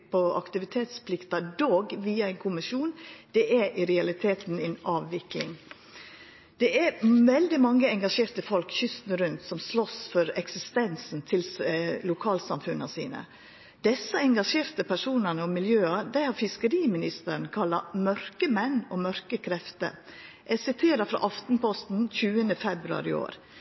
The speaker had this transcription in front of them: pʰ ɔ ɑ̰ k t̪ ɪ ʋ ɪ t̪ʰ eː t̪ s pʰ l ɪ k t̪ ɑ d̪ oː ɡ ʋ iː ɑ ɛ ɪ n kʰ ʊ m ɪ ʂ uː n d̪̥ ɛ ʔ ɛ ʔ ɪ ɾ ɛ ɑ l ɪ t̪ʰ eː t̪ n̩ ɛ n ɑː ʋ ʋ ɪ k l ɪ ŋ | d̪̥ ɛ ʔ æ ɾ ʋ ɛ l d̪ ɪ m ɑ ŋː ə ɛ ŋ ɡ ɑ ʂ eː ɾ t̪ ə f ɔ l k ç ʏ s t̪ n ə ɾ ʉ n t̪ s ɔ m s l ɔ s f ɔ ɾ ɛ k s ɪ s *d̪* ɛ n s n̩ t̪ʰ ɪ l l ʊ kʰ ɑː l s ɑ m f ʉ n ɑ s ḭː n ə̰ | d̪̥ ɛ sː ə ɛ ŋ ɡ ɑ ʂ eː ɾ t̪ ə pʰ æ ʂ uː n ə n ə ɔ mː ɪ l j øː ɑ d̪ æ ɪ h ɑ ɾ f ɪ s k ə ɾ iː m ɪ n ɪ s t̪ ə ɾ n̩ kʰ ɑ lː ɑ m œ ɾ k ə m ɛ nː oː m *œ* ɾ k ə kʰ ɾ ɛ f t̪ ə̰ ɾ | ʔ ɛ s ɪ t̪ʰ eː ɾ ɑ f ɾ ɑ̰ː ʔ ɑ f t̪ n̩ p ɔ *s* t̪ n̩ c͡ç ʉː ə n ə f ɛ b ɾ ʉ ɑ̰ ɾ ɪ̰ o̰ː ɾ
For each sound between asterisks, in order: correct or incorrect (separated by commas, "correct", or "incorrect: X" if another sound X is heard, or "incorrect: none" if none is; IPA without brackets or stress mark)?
incorrect: t̪, correct, correct